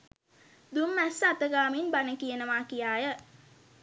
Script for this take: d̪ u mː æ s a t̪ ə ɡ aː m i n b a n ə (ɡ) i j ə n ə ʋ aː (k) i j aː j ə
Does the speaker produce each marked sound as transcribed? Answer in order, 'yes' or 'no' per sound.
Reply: no, yes

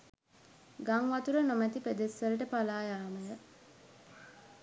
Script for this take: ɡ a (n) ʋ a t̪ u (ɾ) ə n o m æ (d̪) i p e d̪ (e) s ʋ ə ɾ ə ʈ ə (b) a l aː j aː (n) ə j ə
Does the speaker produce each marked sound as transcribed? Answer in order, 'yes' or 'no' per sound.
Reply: no, yes, no, yes, no, no

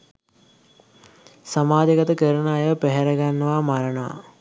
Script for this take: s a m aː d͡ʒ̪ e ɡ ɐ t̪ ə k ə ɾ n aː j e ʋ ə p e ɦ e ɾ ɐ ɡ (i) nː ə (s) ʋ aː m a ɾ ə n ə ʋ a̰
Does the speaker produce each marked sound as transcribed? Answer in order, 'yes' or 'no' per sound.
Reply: no, no

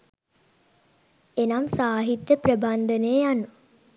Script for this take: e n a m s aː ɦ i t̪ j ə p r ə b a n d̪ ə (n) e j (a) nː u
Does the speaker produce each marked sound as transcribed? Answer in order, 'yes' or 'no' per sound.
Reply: yes, yes

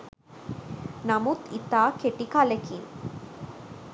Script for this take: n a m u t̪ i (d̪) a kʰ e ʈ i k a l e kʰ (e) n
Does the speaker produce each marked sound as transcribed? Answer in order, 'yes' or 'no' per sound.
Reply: no, no

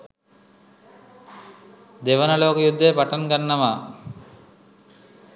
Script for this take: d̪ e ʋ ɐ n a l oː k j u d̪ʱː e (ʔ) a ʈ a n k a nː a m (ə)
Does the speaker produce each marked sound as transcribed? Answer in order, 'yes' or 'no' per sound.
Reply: no, no

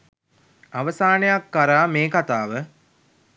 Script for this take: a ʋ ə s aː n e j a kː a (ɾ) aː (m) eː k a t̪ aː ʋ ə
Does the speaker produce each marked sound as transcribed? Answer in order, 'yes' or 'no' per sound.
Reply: yes, yes

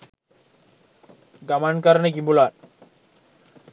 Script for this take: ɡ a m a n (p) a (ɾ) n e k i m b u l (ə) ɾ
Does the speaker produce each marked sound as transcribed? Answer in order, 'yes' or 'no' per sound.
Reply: no, yes, no

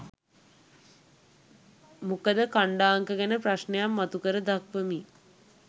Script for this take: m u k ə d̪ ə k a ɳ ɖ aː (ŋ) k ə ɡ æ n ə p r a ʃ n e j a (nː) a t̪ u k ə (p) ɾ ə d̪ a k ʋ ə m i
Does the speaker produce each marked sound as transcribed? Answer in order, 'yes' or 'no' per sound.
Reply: yes, no, no

